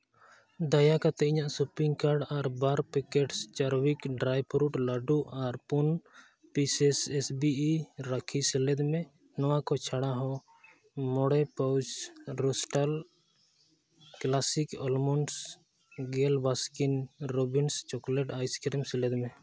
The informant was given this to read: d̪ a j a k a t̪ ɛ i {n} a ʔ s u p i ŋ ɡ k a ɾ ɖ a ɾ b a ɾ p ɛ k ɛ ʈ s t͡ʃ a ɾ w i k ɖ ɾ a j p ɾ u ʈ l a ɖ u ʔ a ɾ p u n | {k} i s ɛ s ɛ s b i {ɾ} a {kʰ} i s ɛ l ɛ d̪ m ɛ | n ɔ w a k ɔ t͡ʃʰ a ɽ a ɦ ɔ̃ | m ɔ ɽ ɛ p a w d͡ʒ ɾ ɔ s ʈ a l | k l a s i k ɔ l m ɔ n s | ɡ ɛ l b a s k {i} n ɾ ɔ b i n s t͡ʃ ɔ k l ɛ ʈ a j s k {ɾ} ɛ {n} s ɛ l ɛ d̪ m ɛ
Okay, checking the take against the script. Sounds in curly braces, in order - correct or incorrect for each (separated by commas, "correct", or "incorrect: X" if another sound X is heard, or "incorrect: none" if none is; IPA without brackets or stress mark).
incorrect: ɲ, incorrect: p, correct, correct, correct, correct, incorrect: m